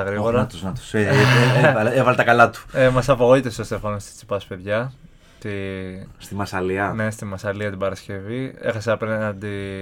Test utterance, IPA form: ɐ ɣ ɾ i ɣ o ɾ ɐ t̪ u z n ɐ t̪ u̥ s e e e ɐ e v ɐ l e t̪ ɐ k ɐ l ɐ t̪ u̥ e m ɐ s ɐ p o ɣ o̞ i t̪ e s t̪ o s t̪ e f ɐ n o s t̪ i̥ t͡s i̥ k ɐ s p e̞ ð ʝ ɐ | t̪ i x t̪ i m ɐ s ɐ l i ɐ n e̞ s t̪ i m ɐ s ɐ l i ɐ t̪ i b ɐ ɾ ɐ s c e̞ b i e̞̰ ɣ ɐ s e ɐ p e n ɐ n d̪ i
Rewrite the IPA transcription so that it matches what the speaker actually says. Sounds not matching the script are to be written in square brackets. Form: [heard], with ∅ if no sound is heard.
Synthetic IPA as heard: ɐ ɣ ɾ i ɣ o ɾ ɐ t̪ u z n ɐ t̪ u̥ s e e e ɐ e v ɐ l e t̪ ɐ k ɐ l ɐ t̪ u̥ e m ɐ s ɐ p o ɣ o̞ i t̪ e s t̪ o s t̪ e f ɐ n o s t̪ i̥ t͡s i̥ [p] ɐ s p e̞ ð ʝ ɐ | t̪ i [s] t̪ i m ɐ s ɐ l i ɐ n e̞ s t̪ i m ɐ s ɐ l i ɐ t̪ i b ɐ ɾ ɐ s c e̞ [v] i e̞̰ [x] ɐ s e ɐ p e n ɐ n d̪ i